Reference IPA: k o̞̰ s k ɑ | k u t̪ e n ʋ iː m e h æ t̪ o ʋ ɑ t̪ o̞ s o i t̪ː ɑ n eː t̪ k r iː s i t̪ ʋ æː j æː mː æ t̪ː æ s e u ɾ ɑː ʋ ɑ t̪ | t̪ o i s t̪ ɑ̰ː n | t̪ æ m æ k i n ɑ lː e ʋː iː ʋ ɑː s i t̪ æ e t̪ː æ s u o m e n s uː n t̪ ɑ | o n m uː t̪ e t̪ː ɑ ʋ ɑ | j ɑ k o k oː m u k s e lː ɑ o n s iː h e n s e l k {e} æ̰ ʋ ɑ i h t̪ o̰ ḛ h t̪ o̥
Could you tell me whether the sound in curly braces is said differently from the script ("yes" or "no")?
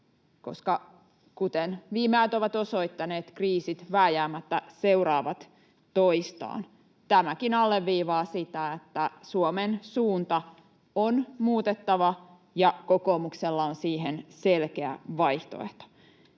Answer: no